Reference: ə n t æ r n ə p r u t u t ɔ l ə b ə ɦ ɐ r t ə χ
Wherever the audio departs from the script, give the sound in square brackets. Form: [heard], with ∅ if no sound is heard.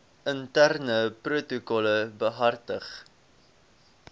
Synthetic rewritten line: ə n t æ r n ə p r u t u [k] ɔ l ə b ə ɦ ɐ r t ə χ